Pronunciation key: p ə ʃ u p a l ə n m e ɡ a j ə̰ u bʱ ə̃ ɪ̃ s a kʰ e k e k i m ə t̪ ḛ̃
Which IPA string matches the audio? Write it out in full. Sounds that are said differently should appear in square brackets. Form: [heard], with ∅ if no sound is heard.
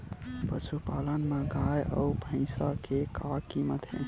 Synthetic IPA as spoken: p ə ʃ u p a l ə n m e ɡ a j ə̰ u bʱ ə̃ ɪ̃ s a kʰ e k [a] k i m ə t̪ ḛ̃